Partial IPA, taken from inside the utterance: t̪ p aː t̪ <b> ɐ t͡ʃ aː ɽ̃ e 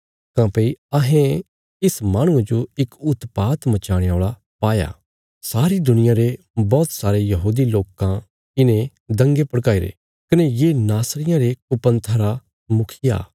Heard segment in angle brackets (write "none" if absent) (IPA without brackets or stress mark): m